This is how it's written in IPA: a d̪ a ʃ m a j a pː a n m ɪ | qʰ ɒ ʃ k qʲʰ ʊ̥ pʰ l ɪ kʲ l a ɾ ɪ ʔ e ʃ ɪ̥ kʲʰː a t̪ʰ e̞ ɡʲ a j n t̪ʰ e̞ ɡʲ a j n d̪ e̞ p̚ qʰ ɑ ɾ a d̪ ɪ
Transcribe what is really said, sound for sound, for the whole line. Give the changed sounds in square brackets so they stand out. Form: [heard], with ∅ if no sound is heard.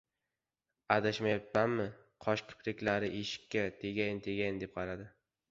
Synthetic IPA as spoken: a d̪ a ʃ m a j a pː a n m ɪ | qʰ ɒ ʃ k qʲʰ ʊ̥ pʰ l ɪ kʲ l a ɾ ɪ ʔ e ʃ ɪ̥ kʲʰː a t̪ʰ e̞ ɡʲ a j n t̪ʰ e̞ ɡʲ a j n d̪ e̞ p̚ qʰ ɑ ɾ a d̪ ɪ